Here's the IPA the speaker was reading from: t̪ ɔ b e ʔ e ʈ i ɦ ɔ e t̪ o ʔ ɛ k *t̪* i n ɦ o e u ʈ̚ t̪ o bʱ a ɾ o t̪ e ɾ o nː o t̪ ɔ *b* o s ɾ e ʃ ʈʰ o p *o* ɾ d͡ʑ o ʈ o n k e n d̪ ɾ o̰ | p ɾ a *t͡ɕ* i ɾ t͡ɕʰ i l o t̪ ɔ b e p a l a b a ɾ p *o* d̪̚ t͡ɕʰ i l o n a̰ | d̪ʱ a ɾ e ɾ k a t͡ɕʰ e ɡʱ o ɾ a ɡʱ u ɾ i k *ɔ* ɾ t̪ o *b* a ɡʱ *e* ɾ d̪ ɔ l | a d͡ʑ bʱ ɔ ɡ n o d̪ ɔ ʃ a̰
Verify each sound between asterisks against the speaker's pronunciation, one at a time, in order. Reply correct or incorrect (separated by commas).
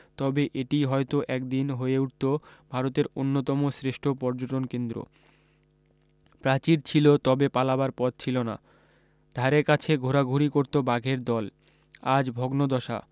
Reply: incorrect, incorrect, incorrect, correct, incorrect, incorrect, correct, correct